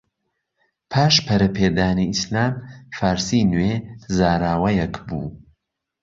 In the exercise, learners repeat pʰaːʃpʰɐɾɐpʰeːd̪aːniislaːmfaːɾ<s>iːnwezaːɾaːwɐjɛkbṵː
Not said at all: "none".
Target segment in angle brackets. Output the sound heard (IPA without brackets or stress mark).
s